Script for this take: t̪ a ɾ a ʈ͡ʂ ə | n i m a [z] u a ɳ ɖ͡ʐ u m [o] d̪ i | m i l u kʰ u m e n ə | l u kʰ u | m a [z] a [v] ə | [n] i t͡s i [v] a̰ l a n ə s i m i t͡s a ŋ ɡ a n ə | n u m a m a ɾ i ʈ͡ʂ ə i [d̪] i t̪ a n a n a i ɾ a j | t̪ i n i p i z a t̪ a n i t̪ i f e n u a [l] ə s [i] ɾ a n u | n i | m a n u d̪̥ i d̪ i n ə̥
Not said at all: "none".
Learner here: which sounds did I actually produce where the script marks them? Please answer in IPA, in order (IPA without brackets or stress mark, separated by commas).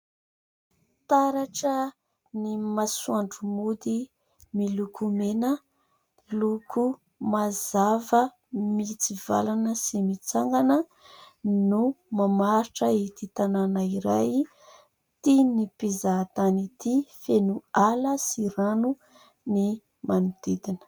s, u, z, v, m, v, t̪, l, i